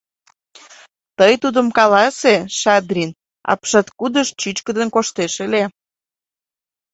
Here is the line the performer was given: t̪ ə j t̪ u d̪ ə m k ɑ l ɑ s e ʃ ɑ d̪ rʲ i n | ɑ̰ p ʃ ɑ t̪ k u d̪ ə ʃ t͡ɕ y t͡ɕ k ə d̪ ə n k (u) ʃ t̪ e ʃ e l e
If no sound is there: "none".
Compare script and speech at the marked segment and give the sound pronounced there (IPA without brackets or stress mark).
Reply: o